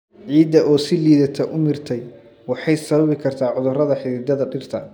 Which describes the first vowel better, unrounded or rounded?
unrounded